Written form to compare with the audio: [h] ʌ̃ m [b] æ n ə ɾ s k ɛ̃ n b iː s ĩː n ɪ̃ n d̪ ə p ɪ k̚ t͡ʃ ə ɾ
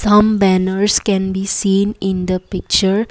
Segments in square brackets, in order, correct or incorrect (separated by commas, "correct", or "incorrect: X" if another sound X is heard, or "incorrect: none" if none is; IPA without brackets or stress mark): incorrect: s, correct